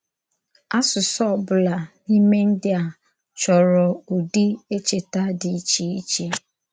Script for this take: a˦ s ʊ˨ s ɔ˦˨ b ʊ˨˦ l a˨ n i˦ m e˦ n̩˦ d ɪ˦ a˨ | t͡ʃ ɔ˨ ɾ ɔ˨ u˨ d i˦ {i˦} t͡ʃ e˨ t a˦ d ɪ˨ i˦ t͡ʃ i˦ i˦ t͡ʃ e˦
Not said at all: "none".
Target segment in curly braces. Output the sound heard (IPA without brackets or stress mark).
e˦